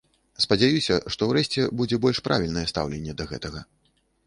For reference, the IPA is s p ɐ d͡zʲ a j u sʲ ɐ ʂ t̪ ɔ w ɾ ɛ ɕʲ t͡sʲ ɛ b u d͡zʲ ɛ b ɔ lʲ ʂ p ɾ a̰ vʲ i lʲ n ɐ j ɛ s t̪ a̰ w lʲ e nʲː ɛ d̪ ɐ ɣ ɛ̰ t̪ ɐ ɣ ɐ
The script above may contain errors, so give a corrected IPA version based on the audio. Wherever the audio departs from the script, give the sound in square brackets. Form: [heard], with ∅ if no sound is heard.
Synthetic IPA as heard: s p ɐ d͡zʲ a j u sʲ ɐ ʂ t̪ ɔ w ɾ ɛ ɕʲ t͡sʲ ɛ b u d͡zʲ ɛ b ɔ lʲ ʂ p ɾ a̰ vʲ i lʲ n ɐ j ɛ s t̪ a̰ w lʲ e nʲː ɛ d̪ ɐ ɣ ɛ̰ t̪ ɐ ɣ ɐ

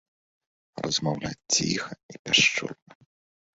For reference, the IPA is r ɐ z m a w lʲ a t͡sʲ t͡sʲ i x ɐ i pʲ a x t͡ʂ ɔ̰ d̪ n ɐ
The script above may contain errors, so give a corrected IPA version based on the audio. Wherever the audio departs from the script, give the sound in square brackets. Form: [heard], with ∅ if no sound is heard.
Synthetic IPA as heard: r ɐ z m a w lʲ a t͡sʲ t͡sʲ i x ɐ i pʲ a [ʂ] t͡ʂ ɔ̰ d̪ n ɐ

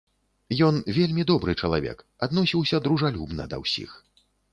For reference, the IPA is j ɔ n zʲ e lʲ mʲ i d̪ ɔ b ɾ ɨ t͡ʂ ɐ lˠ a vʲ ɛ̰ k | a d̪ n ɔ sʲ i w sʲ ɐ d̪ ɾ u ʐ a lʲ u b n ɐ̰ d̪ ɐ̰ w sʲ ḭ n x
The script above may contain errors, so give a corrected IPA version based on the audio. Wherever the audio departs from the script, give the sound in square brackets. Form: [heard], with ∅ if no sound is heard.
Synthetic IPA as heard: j ɔ n [vʲ] e lʲ mʲ i d̪ ɔ b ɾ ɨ t͡ʂ ɐ lˠ a vʲ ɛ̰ k | a d̪ n ɔ sʲ i w sʲ ɐ d̪ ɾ u ʐ a lʲ u b n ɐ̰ d̪ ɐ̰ w sʲ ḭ [∅] x

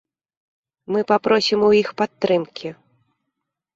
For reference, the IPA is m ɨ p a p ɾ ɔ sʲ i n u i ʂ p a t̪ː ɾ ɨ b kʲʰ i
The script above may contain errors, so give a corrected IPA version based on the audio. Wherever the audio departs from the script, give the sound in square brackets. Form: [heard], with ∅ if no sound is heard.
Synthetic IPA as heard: m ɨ p a p ɾ ɔ sʲ i [m] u i [x] p a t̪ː ɾ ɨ [m] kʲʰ i

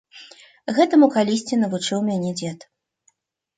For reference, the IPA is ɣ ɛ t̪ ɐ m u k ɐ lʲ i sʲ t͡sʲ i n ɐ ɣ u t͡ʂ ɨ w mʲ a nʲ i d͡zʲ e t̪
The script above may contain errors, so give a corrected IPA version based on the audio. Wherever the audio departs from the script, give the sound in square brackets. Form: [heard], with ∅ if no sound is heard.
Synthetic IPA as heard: ɣ ɛ t̪ ɐ m u k [a] lʲ i sʲ t͡sʲ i n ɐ [v] u t͡ʂ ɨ w mʲ a nʲ [ɛ] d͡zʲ [ɛ] t̪

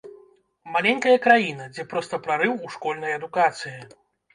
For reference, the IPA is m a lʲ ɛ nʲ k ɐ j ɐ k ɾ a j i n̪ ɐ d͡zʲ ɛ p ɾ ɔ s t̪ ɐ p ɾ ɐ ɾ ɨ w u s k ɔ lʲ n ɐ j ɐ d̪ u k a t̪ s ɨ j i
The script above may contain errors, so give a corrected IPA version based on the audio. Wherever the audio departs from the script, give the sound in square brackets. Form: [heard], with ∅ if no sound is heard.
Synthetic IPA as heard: m a lʲ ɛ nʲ k ɐ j ɐ k ɾ a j i n̪ ɐ d͡zʲ ɛ p ɾ ɔ s t̪ ɐ p ɾ [a] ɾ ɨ w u [ʂ] k ɔ lʲ n ɐ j ɐ d̪ u k a t̪ s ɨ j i

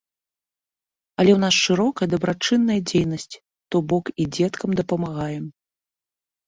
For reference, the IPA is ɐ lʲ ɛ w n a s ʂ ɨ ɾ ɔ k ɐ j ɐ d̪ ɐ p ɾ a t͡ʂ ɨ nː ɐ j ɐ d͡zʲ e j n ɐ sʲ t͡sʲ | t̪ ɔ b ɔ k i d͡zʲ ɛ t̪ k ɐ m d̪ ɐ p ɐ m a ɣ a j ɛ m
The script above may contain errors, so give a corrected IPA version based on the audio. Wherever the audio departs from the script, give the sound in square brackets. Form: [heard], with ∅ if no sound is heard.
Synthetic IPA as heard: ɐ lʲ ɛ w n a s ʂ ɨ ɾ ɔ k ɐ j ɐ d̪ ɐ [b] ɾ a t͡ʂ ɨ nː ɐ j ɐ d͡zʲ e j n ɐ sʲ t͡sʲ | t̪ ɔ b ɔ k i d͡zʲ ɛ t̪ k ɐ m d̪ ɐ p ɐ m a ɣ a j ɛ m

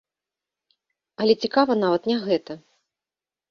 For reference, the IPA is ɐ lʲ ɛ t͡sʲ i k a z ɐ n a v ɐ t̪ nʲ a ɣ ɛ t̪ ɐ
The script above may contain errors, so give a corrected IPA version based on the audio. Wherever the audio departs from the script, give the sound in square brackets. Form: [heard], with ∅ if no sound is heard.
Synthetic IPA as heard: ɐ lʲ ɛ t͡sʲ i k a [v] ɐ n a v ɐ t̪ nʲ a ɣ ɛ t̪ ɐ

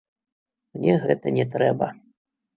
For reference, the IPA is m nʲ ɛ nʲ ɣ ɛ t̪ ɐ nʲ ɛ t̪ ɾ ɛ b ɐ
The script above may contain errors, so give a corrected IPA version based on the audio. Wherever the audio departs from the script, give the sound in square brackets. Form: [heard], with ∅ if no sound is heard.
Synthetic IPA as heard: m nʲ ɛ [∅] ɣ ɛ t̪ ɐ nʲ ɛ t̪ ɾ ɛ b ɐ

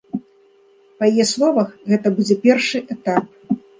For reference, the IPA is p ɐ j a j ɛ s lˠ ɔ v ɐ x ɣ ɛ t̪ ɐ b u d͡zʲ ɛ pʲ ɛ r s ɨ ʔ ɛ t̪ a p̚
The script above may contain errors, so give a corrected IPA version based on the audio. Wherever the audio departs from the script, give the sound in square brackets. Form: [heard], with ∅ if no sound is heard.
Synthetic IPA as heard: p ɐ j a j ɛ s lˠ ɔ v ɐ x ɣ ɛ t̪ ɐ b u d͡zʲ ɛ pʲ ɛ r [ʂ] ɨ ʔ ɛ t̪ a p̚

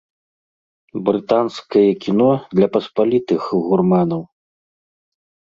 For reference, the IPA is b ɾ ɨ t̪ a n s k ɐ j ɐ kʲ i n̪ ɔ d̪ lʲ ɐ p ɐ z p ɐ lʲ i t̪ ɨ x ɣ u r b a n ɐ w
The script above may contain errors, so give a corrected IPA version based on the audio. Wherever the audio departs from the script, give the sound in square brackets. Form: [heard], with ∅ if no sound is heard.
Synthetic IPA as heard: b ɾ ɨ t̪ a n s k ɐ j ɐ kʲ i n̪ ɔ d̪ lʲ ɐ p ɐ [s] p [a] lʲ i t̪ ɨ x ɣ u r [m] a n ɐ w

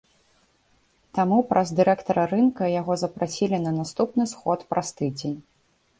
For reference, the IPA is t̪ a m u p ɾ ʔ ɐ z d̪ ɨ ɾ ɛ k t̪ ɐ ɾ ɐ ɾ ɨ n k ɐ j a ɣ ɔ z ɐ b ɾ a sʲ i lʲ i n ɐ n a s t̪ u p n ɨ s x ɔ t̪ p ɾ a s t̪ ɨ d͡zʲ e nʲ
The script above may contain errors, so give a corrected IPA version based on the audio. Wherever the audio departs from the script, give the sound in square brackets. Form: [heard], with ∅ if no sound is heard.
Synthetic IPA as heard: t̪ a m u p ɾ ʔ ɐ z d̪ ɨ ɾ ɛ k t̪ ɐ ɾ ɐ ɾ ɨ n k ɐ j a ɣ ɔ z ɐ [p] ɾ a sʲ i lʲ i n ɐ n a s t̪ u p n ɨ s x ɔ t̪ p ɾ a s t̪ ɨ d͡zʲ e nʲ

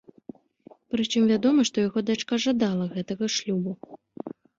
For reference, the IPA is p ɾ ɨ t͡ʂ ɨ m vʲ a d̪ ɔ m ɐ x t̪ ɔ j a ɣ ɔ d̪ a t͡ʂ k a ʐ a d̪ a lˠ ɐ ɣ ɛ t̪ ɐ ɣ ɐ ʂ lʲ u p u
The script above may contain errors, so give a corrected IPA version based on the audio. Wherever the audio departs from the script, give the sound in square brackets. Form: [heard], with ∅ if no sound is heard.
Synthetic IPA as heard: p ɾ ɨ t͡ʂ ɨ m vʲ a d̪ ɔ m ɐ [ʂ] t̪ ɔ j a ɣ ɔ d̪ a t͡ʂ k a ʐ a d̪ a lˠ ɐ ɣ ɛ t̪ ɐ ɣ ɐ ʂ lʲ u [b] u

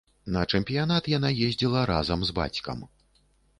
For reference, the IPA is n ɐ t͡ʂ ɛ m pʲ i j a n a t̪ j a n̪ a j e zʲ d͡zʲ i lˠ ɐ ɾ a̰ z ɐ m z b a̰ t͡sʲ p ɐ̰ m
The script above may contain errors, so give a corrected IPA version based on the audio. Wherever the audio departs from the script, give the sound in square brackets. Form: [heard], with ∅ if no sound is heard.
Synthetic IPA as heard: n ɐ t͡ʂ ɛ m pʲ i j a n a t̪ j a n̪ a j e zʲ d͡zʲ i lˠ ɐ ɾ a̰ z ɐ m z b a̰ t͡sʲ [k] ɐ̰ m

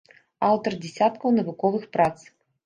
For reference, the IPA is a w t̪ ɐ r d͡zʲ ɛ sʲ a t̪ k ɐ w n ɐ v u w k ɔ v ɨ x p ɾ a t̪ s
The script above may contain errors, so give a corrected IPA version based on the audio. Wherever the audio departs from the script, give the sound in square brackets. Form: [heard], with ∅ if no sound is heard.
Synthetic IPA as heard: a w t̪ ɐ r d͡zʲ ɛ sʲ a t̪ k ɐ w n ɐ v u [∅] k ɔ v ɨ x p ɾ a t̪ s

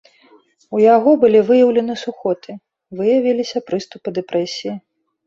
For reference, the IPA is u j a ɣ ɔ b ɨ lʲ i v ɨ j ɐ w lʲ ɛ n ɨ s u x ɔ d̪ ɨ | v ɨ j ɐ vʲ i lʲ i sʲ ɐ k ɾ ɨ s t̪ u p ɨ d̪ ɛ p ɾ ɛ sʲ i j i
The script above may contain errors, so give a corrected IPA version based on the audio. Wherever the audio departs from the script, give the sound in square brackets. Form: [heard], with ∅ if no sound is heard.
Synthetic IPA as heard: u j a ɣ ɔ b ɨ lʲ i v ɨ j ɐ w lʲ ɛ n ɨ s u x ɔ [t̪] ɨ | v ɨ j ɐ vʲ i lʲ i sʲ ɐ [p] ɾ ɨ s t̪ u p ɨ d̪ ɛ p ɾ ɛ sʲ i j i

